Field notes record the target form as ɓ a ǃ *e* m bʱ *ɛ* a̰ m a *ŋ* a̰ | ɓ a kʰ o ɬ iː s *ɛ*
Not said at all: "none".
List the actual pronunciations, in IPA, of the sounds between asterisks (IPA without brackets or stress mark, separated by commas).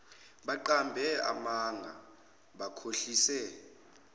a, ɛ, ŋ, ɛ